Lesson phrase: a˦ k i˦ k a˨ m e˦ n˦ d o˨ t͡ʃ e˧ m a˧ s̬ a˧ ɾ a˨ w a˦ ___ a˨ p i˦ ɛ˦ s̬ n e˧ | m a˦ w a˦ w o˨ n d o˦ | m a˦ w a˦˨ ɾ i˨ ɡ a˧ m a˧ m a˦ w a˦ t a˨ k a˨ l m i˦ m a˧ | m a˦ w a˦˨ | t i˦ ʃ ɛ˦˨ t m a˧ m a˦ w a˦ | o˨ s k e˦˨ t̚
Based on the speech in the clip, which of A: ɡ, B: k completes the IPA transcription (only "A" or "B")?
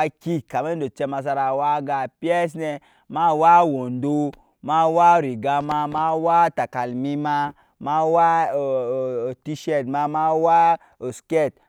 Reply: A